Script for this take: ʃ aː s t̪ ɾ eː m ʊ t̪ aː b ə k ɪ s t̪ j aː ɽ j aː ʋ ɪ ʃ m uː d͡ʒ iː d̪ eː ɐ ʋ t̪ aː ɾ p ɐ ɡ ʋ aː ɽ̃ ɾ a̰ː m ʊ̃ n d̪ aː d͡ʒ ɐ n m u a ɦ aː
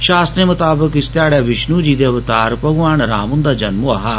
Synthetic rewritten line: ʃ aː s t̪ ɾ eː m ʊ t̪ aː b ə k ɪ s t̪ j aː ɽ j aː ʋ ɪ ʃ n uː d͡ʒ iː d̪ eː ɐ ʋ t̪ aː ɾ p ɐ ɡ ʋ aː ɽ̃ ɾ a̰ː m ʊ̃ n d̪ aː d͡ʒ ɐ n m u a ɦ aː